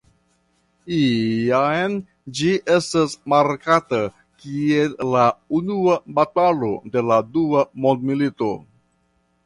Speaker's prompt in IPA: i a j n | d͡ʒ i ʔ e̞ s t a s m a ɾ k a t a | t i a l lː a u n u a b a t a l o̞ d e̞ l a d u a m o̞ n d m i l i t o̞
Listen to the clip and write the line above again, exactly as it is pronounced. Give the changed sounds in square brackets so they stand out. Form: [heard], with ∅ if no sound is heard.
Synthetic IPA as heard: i a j n | d͡ʒ i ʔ e̞ s t a s m a ɾ k a t a | [k] i [e] l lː a u n u a b a t a l o̞ d e̞ l a d u a m o̞ n d m i l i t o̞